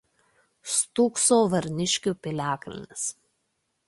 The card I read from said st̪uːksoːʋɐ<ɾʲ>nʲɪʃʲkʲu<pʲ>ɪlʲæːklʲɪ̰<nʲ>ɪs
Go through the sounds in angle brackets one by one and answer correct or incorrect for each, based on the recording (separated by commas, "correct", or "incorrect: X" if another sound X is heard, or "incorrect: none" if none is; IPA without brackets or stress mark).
correct, correct, correct